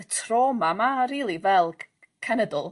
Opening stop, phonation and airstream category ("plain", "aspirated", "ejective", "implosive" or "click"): aspirated